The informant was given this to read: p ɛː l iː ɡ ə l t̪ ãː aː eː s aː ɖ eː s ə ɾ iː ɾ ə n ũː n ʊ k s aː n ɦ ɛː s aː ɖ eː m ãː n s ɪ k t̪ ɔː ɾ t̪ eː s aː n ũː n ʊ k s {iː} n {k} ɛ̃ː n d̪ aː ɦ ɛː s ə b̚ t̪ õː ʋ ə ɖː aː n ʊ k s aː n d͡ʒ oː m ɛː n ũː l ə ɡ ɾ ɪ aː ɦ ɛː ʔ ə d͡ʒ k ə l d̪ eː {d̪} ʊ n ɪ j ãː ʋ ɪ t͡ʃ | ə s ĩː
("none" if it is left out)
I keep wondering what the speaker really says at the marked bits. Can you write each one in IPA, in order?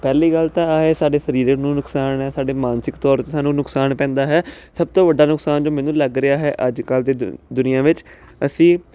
aː, p, d̪

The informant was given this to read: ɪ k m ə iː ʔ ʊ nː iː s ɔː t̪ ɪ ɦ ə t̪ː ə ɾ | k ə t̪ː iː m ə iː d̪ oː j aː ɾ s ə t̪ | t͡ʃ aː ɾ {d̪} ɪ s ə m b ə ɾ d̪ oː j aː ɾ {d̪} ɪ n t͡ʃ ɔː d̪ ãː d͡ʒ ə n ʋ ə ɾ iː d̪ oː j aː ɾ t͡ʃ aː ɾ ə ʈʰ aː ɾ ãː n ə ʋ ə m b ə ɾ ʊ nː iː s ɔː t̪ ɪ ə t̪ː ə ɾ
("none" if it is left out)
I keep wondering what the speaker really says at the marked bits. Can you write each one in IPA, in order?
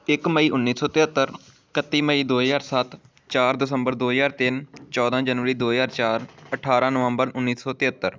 d̪, t̪

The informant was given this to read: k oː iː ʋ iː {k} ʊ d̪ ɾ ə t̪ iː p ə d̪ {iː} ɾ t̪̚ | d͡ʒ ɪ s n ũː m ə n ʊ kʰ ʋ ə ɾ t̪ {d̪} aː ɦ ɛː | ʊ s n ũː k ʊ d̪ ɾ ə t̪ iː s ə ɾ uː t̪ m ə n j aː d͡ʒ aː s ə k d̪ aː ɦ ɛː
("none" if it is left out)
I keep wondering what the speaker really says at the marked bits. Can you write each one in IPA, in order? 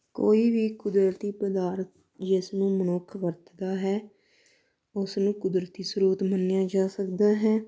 k, aː, d̪

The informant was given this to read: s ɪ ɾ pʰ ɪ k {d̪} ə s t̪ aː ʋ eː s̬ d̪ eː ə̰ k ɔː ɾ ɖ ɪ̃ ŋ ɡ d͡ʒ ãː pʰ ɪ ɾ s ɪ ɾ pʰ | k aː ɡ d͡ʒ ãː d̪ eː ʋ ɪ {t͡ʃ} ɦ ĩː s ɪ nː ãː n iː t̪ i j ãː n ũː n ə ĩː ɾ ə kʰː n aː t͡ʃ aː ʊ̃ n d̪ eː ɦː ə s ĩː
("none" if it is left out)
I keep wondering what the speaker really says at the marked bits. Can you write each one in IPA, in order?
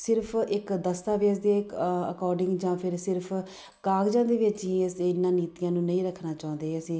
d̪, t͡ʃ

